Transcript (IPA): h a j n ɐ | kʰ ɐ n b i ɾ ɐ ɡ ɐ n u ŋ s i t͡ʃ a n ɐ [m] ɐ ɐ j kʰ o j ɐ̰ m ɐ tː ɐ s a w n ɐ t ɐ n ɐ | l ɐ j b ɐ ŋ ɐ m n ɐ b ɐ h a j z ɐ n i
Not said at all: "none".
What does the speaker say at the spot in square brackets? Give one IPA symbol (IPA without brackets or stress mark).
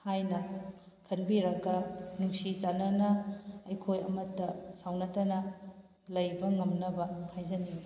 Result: n